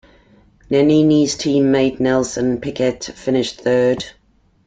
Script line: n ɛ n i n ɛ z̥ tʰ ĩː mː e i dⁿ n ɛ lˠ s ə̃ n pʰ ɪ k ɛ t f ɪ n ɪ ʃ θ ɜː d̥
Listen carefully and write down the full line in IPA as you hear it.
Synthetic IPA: n ɛ n i n i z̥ tʰ ĩː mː e ɪ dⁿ n ɛ lˠ s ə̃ n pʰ ɪ k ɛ t f ɪ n ɪ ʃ θ ɜː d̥